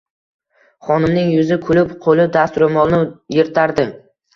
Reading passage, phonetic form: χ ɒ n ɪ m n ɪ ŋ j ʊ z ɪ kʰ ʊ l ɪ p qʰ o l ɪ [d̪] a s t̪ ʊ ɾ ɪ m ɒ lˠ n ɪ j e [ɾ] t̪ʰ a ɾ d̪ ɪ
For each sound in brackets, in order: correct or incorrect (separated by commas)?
correct, correct